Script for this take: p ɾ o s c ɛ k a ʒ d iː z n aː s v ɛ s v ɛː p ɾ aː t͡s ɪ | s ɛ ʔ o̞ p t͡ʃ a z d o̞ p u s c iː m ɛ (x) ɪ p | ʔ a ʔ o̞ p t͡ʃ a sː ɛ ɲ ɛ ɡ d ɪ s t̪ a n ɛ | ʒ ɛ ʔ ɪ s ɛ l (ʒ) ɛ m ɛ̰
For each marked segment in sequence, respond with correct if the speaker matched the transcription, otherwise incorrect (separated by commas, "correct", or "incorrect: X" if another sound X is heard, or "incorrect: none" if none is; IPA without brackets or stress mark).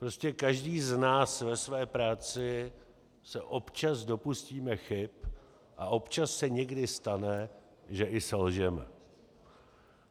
correct, correct